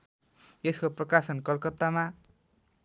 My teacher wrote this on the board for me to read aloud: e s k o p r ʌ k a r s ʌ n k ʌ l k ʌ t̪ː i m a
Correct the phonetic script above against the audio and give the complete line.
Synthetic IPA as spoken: e s k o p r ʌ k a s ʌ n k ʌ l k ʌ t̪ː a m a